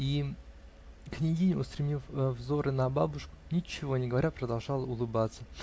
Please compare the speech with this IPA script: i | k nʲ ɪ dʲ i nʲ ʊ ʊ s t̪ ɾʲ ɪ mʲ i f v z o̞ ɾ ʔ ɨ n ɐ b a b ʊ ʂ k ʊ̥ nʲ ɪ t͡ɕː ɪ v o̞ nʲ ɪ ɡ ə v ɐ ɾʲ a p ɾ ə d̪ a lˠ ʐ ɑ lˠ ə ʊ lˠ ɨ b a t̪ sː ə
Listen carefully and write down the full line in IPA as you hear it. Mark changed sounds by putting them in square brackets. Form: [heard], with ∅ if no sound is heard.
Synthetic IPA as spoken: i | k nʲ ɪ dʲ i nʲ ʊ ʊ s t̪ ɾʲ ɪ mʲ i f v z o̞ ɾ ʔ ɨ n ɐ b a b ʊ ʂ k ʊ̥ nʲ ɪ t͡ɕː ɪ v o̞ nʲ ɪ ɡ ə v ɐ ɾʲ a p ɾ ə d̪ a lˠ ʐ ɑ lˠ ə ʊ lˠ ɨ b a t̪ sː ə

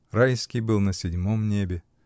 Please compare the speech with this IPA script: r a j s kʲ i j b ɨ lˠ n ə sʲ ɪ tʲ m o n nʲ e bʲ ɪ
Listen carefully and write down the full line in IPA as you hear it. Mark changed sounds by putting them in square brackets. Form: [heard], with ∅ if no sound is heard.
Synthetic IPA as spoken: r a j s kʲ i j b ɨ lˠ n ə sʲ ɪ [dʲ] m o [m] nʲ e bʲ ɪ

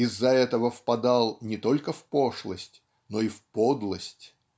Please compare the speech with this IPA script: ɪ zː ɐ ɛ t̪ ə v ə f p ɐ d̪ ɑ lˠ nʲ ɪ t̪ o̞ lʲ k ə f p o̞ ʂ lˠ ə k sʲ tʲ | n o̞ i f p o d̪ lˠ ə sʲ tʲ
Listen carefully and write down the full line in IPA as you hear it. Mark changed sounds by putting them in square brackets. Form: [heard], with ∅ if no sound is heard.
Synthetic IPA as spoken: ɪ zː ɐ ɛ t̪ ə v ə f p ɐ d̪ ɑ lˠ nʲ ɪ t̪ o̞ lʲ k ə f p o̞ ʂ lˠ ə [∅] sʲ tʲ | n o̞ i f p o d̪ lˠ ə sʲ tʲ

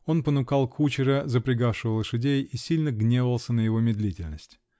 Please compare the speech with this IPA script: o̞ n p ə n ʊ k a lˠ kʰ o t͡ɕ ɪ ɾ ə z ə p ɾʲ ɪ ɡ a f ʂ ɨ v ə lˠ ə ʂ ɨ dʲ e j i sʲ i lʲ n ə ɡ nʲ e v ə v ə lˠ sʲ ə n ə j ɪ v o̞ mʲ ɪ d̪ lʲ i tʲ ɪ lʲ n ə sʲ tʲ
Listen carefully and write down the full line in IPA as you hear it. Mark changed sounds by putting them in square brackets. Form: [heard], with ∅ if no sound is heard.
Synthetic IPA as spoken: o̞ n p ə n ʊ k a lˠ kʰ [u] t͡ɕ ɪ ɾ ə z ə p ɾʲ ɪ ɡ a f ʂ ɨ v ə lˠ ə ʂ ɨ dʲ e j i sʲ i lʲ n ə ɡ nʲ e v ə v ə lˠ sʲ ə n ə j ɪ v o̞ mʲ ɪ d̪ lʲ i tʲ ɪ lʲ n ə sʲ tʲ

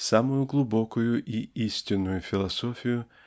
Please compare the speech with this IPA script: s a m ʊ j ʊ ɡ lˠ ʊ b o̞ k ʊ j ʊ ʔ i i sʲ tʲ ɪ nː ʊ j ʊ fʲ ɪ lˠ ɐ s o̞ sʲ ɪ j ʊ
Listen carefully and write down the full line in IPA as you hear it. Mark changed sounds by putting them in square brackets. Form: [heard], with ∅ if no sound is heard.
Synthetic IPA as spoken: s a m ʊ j ʊ ɡ lˠ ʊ b o̞ k ʊ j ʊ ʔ i i sʲ tʲ ɪ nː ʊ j ʊ fʲ ɪ lˠ ɐ s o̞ [fʲ] ɪ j ʊ

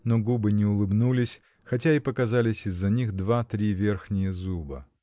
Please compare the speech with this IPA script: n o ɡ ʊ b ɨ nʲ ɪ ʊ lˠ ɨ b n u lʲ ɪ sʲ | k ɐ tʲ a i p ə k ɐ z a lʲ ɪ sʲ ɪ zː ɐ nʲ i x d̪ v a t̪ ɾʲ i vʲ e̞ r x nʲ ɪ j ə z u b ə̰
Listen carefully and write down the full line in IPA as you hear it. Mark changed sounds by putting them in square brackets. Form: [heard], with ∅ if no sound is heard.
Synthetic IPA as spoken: n o ɡ [u] b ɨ nʲ ɪ ʊ lˠ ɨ b n u lʲ ɪ sʲ | [x] ɐ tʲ a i p ə k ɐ z a lʲ ɪ sʲ ɪ zː ɐ nʲ i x d̪ v a t̪ ɾʲ i vʲ e̞ r x nʲ ɪ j ə z u b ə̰

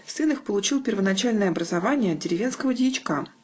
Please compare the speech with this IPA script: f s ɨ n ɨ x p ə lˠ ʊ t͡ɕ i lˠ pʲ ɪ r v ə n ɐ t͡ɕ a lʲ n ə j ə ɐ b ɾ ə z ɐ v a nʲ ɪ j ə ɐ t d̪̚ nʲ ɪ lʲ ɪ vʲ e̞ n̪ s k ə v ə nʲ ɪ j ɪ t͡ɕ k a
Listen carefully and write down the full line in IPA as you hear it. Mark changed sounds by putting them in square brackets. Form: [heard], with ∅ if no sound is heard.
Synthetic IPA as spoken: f s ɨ n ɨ x p ə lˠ ʊ t͡ɕ i lˠ pʲ ɪ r v ə n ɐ t͡ɕ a lʲ n ə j ə ɐ b ɾ ə z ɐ v a nʲ ɪ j ə ɐ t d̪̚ [dʲ] ɪ [ɾʲ] ɪ vʲ e̞ n̪ s k ə v ə [dʲ] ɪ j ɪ t͡ɕ k a

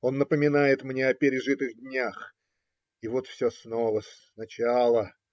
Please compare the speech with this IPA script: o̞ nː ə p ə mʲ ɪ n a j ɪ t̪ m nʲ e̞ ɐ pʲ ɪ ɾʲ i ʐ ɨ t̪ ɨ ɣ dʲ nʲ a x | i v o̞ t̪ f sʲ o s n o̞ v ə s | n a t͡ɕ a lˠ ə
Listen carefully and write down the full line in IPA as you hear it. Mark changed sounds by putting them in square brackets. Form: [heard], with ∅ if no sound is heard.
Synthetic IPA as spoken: o̞ nː ə p ə mʲ ɪ n a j ɪ t̪ m nʲ e̞ ɐ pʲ ɪ ɾʲ [ɪ] ʐ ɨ t̪ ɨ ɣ dʲ nʲ a x | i v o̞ t̪ f sʲ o s n o̞ v ə s | n [ɐ] t͡ɕ a lˠ ə

